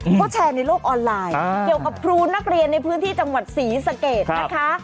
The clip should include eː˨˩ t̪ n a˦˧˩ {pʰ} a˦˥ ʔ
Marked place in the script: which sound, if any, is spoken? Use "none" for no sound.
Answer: kʰ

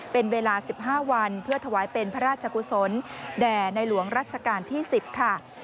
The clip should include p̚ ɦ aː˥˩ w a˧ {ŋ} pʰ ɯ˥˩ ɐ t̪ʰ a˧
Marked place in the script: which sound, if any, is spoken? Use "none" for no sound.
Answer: n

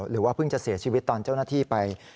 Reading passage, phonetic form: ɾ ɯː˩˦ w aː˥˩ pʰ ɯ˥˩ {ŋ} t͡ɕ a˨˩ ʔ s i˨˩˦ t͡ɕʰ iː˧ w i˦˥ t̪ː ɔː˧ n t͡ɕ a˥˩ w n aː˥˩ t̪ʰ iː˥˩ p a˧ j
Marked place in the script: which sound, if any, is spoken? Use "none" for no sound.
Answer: ŋ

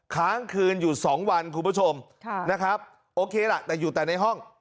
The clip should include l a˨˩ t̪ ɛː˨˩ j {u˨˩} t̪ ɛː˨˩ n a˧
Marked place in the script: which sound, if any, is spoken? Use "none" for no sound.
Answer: uː˨˩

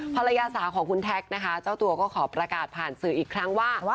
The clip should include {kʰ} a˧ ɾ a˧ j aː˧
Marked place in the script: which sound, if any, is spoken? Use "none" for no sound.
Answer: pʰ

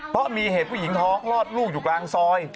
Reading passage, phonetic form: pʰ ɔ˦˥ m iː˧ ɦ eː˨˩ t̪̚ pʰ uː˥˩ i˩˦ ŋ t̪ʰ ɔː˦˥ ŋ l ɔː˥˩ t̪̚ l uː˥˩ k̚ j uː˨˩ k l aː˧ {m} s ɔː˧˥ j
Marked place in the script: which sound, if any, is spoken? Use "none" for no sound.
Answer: ŋ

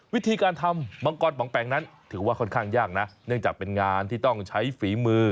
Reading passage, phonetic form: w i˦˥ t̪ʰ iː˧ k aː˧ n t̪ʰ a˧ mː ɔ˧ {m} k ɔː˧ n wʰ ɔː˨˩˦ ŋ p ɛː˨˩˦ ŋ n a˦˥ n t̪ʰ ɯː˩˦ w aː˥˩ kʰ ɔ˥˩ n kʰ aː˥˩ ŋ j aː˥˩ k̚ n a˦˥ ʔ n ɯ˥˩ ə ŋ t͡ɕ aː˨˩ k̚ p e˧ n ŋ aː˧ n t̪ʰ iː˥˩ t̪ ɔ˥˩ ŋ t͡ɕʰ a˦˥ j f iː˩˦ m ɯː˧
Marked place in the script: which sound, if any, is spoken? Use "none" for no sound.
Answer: ŋ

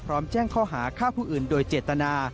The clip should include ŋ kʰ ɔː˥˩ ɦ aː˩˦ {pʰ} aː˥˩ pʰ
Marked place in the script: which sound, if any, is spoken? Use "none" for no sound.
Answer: kʰ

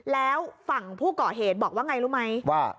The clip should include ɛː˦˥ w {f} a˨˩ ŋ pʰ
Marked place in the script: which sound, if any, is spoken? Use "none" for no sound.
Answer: f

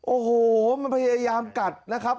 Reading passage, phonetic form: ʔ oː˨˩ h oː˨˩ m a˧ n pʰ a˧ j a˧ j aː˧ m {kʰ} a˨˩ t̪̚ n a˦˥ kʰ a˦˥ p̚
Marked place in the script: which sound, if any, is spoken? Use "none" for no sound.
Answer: k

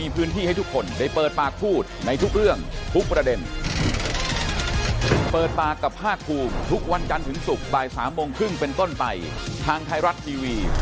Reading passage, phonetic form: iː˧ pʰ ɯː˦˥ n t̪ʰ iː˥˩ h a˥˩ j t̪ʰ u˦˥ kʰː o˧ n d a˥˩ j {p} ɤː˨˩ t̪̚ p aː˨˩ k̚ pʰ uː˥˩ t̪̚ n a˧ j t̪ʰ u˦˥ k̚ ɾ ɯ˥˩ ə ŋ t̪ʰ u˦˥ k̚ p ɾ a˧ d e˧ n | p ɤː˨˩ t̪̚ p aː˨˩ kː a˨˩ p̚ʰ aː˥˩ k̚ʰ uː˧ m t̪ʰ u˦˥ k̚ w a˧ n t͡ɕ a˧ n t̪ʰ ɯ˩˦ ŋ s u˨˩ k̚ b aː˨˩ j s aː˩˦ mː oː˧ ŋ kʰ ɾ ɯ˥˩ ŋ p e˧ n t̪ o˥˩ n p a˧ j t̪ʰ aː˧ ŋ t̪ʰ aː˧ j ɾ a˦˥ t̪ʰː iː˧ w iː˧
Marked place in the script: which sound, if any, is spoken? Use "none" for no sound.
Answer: p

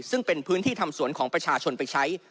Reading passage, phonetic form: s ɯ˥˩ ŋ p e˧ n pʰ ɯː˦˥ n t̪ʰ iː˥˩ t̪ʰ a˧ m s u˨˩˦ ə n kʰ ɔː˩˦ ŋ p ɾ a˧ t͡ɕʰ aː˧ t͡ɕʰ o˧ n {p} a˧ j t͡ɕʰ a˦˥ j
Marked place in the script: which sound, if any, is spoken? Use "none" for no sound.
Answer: p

